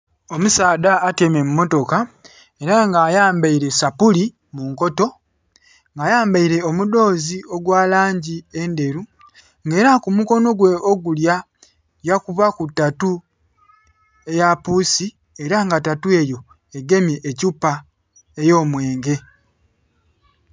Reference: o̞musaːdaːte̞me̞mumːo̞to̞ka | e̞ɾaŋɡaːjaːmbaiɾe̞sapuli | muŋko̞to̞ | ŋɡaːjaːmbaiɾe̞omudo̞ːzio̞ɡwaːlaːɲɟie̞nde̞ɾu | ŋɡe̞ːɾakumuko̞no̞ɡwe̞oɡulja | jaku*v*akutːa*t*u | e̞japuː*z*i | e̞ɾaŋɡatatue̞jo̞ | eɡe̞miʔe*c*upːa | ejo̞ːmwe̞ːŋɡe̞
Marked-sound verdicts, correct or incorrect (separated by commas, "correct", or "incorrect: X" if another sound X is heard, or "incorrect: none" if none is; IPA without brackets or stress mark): incorrect: β, correct, incorrect: s, correct